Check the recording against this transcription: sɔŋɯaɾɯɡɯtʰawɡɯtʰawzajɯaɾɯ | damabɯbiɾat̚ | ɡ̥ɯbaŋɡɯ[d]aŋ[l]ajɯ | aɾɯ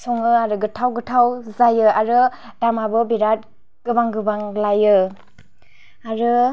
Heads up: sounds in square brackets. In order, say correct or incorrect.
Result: incorrect: b, correct

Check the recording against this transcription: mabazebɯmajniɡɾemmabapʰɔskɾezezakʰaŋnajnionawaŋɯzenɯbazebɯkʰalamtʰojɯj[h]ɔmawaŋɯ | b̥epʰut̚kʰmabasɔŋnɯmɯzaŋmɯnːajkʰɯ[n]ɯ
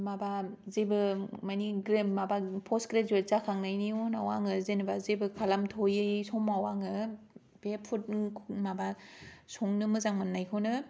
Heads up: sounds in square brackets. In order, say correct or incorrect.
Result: incorrect: s, correct

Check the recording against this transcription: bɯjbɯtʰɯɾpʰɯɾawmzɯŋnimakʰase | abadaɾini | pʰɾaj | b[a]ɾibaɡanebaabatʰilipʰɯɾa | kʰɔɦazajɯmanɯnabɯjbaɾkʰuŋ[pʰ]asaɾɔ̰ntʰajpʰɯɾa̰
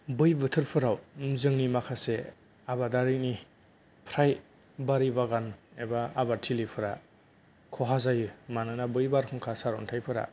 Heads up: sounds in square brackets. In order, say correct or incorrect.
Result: correct, incorrect: kʰ

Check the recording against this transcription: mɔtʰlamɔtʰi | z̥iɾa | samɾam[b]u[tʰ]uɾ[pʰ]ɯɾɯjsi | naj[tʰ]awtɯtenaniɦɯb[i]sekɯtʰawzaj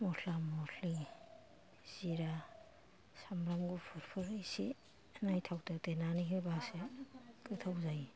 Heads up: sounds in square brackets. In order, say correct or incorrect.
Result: incorrect: ɡ, incorrect: pʰ, correct, correct, incorrect: a

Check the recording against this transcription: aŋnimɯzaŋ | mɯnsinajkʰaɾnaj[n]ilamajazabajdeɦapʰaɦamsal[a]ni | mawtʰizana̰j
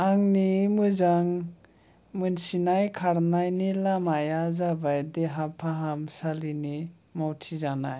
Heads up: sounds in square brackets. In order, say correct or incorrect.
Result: correct, incorrect: i

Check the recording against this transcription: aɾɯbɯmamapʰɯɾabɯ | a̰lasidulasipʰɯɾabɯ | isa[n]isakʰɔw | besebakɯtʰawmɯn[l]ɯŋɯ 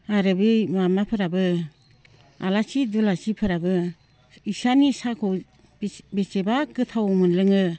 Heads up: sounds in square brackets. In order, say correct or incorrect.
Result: correct, correct

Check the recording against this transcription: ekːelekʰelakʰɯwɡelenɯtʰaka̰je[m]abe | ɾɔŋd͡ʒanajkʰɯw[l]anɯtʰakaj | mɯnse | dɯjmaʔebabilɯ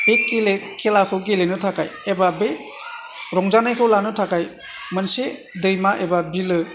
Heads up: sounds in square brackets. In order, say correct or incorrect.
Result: incorrect: b, correct

